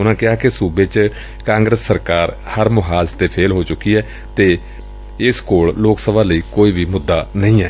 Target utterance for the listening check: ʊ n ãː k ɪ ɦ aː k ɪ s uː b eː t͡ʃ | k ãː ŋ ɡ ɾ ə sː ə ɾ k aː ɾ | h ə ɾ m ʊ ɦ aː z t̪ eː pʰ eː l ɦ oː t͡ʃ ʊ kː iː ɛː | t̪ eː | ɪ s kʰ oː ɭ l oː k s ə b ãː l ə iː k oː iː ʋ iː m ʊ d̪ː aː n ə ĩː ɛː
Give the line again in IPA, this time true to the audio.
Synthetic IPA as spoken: ʊ n ãː k ɪ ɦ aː k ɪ s uː b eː t͡ʃ | k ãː ŋ ɡ ɾ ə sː ə ɾ k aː ɾ | h ə ɾ m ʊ ɦ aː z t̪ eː pʰ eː l ɦ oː t͡ʃ ʊ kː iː ɛː | t̪ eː | ɪ s k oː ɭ l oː k s ə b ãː l ə iː k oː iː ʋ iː m ʊ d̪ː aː n ə ĩː ɛː

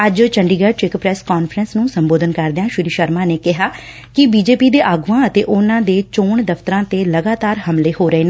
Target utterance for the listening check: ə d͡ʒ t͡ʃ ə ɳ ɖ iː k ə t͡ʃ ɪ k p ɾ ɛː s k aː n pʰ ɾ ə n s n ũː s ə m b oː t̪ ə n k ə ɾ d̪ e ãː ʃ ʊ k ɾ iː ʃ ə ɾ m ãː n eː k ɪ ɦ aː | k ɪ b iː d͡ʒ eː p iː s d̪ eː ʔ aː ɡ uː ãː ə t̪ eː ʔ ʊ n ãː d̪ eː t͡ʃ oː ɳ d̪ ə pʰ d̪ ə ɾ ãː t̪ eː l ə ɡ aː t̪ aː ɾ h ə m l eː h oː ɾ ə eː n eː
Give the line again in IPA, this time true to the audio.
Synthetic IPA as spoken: ə d͡ʒ t͡ʃ ə ɳ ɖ iː ɡ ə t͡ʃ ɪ k p ɾ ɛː s k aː n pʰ ɾ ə n s n ũː s ə m b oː d̪ ə n k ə ɾ d̪ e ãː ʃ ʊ ɾ iː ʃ ə ɾ m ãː n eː k ɪ ɦ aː | k ɪ b iː d͡ʒ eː p iː d̪ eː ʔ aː ɡ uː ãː ə t̪ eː ʔ ʊ n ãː d̪ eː t͡ʃ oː ɳ d̪ ə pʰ t̪ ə ɾ ãː t̪ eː l ə ɡ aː t̪ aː ɾ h ə m l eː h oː ɾ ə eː n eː

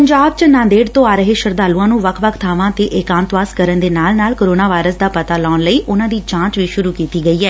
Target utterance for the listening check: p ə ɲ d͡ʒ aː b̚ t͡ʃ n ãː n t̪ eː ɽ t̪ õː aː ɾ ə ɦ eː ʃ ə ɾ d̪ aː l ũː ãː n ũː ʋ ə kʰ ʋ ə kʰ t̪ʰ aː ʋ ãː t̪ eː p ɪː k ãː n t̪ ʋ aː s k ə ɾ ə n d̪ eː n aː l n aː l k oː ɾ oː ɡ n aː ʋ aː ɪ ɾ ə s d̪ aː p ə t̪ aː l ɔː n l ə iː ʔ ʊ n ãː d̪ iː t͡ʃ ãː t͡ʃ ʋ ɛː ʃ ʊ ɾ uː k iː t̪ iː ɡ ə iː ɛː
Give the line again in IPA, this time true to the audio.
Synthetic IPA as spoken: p ə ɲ d͡ʒ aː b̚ t͡ʃ n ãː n d̪ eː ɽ t̪ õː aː ɾ ə ɦ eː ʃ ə ɾ d̪ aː l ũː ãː n ũː ʋ ə kʰ ʋ ə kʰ t̪ʰ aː ʋ ãː t̪ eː ʔ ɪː k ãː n t̪ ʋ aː s k ə ɾ ə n d̪ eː n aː l n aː l k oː ɾ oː n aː ʋ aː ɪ ɾ ə s d̪ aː p ə t̪ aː l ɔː n l ə iː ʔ ʊ n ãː d̪ iː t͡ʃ ãː t͡ʃ ʋ iː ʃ ʊ ɾ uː k iː t̪ iː ɡ ə iː ɛː

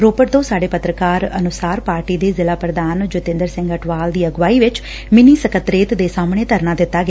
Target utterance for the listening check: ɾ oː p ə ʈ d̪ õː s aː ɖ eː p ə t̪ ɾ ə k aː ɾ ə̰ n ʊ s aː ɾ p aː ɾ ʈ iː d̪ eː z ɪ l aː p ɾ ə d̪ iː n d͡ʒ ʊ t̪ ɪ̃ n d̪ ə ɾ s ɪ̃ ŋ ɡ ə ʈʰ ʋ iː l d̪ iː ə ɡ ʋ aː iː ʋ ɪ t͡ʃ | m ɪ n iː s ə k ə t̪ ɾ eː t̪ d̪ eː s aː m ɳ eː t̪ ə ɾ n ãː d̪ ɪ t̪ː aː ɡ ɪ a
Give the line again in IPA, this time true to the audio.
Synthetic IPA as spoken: ɾ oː p ə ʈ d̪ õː s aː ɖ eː p ə t̪ ɾ ə k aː ɾ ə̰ n ʊ s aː ɾ p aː ɾ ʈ iː d̪ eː z ɪ l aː p ɾ ə d̪ aː n d͡ʒ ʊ t̪ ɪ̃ n d̪ ə ɾ s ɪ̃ ŋ ɡ ə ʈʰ ʋ aː l d̪ iː ə ɡ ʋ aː iː ʋ ɪ t͡ʃ | m ɪ n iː s ə k ə t̪ ɾ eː t̪ d̪ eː s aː m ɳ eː t̪ ə ɾ n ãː d̪ ɪ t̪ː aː ɡ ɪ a

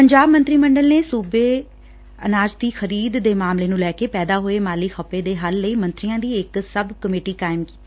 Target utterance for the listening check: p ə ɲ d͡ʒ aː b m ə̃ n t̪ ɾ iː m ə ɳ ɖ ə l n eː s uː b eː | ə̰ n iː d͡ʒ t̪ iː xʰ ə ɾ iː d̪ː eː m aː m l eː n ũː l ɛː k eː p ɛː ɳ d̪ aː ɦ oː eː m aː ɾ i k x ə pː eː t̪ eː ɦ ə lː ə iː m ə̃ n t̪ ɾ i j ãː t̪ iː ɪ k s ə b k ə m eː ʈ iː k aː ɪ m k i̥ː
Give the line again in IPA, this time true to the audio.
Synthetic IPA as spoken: p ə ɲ d͡ʒ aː b m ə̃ n t̪ ɾ iː m ə ɳ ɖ ə l n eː s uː b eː | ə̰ n aː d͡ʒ t̪ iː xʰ ə ɾ iː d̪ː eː m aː m l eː n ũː l ɛː k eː p ɛː d̪ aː ɦ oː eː m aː l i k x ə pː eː d̪ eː ɦ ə lː ə iː m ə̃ n t̪ ɾ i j ãː d̪ iː ɪ k s ə b k ə m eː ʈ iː k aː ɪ m k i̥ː

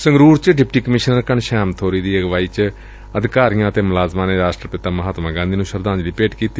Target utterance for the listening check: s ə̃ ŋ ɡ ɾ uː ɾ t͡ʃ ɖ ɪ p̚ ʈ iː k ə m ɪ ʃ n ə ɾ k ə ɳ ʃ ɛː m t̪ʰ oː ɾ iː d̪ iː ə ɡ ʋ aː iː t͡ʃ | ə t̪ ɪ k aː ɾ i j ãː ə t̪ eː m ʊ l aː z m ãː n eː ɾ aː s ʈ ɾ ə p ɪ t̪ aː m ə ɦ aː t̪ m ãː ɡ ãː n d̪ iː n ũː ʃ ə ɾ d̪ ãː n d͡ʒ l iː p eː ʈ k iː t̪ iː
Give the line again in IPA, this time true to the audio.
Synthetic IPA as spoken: s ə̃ ŋ ɡ ɾ uː ɾ t͡ʃ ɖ ɪ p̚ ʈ iː k ə m ɪ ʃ n ə ɾ k ə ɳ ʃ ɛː m t̪ʰ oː ɾ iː d̪ iː ə ɡ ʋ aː iː t͡ʃ | ə d̪ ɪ k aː ɾ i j ãː ə t̪ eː m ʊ l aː z m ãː n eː ɾ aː s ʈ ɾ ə p ɪ t̪ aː m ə ɦ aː t̪ m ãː ɡ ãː n d̪ iː n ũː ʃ ə ɾ d̪ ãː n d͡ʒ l iː p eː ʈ k iː t̪ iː

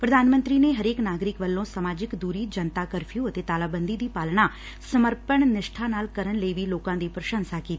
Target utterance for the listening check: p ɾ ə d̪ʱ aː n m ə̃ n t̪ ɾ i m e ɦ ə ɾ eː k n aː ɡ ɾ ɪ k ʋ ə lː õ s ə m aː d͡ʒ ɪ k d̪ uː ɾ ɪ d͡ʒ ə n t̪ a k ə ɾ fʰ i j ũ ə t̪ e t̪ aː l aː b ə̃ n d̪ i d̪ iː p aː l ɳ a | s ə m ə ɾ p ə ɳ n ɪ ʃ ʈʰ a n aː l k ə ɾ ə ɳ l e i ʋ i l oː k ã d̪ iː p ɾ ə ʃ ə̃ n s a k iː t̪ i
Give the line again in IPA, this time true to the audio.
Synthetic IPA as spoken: p ɾ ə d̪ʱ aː n m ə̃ n t̪ ɾ i n e ɦ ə ɾ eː k n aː ɡ ɾ ɪ k ʋ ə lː õ s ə m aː d͡ʒ ɪ k d̪ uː ɾ i d͡ʒ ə n t̪ a k ə ɾ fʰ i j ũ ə t̪ e t̪ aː l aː b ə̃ n d̪ i d̪ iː p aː l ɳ a | s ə m ə ɾ p ə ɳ n ɪ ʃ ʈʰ a n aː l k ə ɾ ə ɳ l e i ʋ i l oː k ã d̪ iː p ɾ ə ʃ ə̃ n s a k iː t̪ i

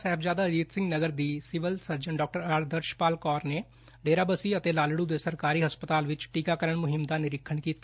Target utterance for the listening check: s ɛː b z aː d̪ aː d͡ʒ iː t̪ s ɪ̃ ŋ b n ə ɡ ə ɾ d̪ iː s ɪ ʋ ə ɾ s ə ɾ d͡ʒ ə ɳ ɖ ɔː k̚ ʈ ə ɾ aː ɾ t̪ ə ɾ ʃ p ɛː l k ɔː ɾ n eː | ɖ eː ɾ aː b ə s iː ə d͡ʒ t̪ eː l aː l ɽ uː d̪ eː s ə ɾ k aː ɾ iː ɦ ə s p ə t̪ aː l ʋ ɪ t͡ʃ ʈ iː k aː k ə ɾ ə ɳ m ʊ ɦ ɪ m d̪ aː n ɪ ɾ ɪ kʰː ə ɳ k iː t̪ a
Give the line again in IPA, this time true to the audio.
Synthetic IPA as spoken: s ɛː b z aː d̪ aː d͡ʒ iː t̪ s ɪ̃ ŋ ɡ n ə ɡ ə ɾ d̪ iː s ɪ ʋ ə l s ə ɾ d͡ʒ ə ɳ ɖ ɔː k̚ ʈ ə ɾ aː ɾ d̪ ə ɾ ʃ p aː l k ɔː ɾ n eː | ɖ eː ɾ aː b ə s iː ə t̪ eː l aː l ɽ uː d̪ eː s ə ɾ k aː ɾ iː ɦ ə s p ə t̪ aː l ʋ ɪ t͡ʃ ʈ iː k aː k ə ɾ ə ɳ m ʊ ɦ ɪ m d̪ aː n ɪ ɾ ɪ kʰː ə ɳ k iː t̪ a

